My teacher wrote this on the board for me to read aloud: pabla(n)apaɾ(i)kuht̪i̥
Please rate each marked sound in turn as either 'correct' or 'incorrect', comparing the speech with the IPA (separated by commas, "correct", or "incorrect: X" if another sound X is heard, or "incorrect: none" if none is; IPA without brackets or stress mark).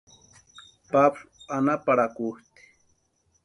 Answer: correct, incorrect: a